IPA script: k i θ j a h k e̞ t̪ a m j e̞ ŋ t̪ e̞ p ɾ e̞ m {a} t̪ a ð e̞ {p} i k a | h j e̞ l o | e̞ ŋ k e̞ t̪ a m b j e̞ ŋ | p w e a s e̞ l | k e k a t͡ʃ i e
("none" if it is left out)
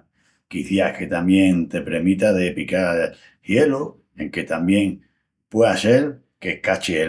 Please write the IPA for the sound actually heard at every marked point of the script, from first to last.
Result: i, p

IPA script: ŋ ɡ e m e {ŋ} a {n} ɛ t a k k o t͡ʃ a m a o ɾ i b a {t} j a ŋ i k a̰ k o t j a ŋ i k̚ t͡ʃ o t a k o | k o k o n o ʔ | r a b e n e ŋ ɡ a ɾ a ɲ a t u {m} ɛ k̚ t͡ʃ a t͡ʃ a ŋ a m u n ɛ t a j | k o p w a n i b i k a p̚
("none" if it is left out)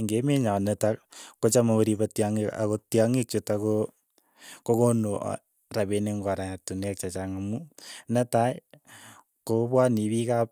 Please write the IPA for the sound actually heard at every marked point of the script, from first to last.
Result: ɲ, n, t, n

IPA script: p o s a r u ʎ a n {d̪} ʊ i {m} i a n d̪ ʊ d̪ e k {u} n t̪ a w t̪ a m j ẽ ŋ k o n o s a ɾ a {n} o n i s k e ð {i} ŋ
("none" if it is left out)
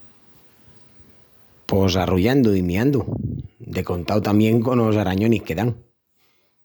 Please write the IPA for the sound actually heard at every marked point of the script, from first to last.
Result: d̪, m, o, ɲ, a

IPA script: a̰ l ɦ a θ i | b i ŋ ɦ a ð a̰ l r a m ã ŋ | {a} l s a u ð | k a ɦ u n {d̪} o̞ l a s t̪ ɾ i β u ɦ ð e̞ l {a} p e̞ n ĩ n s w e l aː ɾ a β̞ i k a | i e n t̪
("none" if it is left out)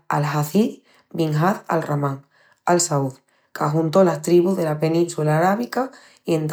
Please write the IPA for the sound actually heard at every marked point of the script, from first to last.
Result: a, t̪, a

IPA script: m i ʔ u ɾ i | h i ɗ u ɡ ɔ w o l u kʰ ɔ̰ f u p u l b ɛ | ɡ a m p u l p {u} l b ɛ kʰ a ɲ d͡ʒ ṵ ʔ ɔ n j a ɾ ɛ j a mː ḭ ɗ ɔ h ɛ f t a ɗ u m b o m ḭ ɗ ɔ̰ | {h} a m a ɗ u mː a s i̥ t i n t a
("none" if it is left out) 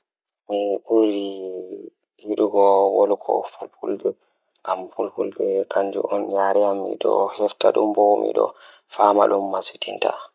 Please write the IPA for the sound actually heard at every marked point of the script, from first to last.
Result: u, f

